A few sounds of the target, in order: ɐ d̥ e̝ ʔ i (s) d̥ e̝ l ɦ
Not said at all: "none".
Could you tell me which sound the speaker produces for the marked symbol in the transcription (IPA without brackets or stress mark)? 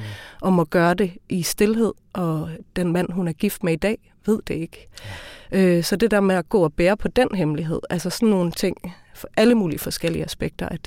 s